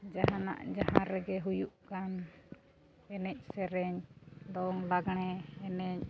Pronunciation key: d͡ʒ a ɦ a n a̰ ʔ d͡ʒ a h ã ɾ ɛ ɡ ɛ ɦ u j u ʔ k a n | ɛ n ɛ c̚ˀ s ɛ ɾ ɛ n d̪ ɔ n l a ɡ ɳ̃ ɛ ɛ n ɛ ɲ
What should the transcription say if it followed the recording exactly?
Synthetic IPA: d͡ʒ a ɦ a n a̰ ʔ d͡ʒ a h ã ɾ ɛ ɡ ɛ ɦ u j u ʔ k a n | ɛ n ɛ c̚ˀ s ɛ ɾ ɛ ɲ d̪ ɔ ŋ l a ɡ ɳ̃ ɛ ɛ n ɛ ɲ

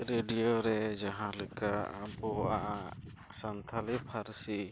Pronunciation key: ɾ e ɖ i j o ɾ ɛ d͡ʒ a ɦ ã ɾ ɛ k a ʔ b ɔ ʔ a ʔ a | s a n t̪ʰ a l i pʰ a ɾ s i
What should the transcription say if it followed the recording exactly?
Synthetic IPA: ɾ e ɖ i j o ɾ ɛ d͡ʒ a ɦ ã l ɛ k a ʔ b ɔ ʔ a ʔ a | s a n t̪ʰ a l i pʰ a ɾ s i

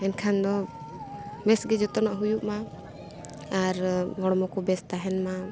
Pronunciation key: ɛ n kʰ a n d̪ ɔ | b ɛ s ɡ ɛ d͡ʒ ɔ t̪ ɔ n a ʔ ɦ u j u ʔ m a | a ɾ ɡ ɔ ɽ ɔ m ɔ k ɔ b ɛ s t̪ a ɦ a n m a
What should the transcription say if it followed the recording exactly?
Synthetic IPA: ɛ n kʰ a n d̪ ɔ | m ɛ s ɡ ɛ d͡ʒ ɔ t̪ ɔ n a ʔ ɦ u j u ʔ m a | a ɾ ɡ ɔ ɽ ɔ m ɔ k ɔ b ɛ s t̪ a ɦ ɛ n m a

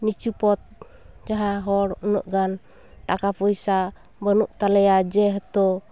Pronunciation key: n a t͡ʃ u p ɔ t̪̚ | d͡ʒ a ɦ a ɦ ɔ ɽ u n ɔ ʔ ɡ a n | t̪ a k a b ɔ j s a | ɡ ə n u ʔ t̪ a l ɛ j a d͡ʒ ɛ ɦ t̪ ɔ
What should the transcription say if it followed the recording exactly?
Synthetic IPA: n i t͡ʃ u p ɔ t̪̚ | d͡ʒ a ɦ a ɦ ɔ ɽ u n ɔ ʔ ɡ a n | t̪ a k a p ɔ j s a | b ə n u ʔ t̪ a l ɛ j a d͡ʒ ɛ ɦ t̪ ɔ

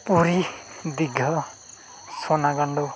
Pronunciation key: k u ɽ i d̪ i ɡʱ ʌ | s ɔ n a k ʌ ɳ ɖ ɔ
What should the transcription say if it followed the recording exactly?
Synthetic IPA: p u ɾ i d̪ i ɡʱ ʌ | s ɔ n a ɡ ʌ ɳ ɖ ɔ

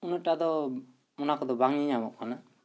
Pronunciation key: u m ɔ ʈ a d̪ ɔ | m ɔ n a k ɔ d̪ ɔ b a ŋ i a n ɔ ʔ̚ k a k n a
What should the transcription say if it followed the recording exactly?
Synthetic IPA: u n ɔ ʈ a d̪ ɔ | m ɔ n a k ɔ d̪ ɔ b a ŋ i a m ɔ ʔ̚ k a n a

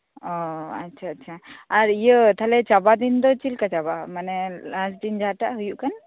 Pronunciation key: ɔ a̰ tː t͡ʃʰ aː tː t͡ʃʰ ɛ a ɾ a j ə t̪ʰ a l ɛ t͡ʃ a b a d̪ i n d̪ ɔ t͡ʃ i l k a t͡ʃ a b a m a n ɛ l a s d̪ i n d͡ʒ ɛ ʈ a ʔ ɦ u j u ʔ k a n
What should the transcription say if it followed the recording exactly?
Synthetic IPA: ɔ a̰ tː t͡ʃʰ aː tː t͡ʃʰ a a ɾ i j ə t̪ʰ a l ɛ t͡ʃ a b a d̪ i n d̪ ɔ t͡ʃ i l k a t͡ʃ a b a m a n ɛ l a s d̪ i n d͡ʒ a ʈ a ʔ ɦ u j u ʔ k a n

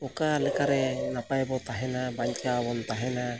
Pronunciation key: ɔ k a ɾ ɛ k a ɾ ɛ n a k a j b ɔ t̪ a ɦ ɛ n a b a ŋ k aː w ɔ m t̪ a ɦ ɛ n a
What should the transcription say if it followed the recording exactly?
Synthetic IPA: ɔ k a l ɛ k a ɾ ɛ n a p a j b ɔ t̪ a ɦ ɛ n a b a ɲ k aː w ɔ n t̪ a ɦ ɛ n a

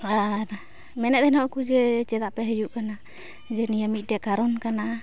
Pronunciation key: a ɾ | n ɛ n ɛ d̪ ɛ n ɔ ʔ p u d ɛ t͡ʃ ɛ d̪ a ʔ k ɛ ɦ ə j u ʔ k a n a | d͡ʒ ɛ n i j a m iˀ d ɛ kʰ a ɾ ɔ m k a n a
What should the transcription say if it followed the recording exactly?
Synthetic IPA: a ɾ | m ɛ n ɛ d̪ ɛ n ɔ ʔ k u d͡ʒ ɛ t͡ʃ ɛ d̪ a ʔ p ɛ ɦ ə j u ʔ k a n a | d͡ʒ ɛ n i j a m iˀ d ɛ k a ɾ ɔ n k a n a

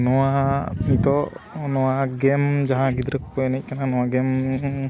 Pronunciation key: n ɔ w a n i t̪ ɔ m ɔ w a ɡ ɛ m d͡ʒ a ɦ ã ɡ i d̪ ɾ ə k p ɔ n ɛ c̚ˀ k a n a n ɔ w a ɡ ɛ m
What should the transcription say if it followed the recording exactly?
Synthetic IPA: n ɔ w a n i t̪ ɔ n ɔ w a ɡ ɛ m d͡ʒ a ɦ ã ɡ i d̪ ɾ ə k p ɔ n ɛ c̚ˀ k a n a n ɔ w a ɡ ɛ m

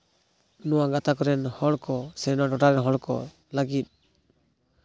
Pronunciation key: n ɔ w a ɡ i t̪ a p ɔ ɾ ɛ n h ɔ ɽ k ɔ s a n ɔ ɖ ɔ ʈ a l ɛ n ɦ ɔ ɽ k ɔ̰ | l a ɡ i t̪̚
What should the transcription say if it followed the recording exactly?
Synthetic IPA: n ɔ w a ɡ a t̪ a k ɔ ɾ ɛ n h ɔ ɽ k ɔ s ɛ n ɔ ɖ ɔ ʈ a ɾ ɛ n ɦ ɔ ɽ k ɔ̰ | l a ɡ i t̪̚

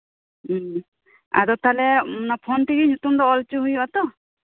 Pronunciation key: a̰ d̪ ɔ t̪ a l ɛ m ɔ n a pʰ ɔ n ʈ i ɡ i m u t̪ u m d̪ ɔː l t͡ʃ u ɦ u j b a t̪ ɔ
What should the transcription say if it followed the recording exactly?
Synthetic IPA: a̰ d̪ ɔ t̪ a l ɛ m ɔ n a pʰ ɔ n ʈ i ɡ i ɲ u t̪ u m d̪ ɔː l t͡ʃ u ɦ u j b a t̪ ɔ

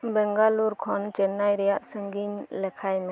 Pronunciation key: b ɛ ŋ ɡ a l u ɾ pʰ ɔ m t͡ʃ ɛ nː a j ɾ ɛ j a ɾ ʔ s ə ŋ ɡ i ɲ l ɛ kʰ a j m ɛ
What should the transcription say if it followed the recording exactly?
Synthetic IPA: b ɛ ŋ ɡ a l u ɾ kʰ ɔ n t͡ʃ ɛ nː a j ɾ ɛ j a ʔ s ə ŋ ɡ i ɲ l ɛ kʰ a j m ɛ

